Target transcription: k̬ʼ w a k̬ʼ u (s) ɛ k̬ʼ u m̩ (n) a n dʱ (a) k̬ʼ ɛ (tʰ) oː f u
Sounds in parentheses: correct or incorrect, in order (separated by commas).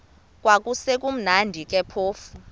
correct, correct, incorrect, incorrect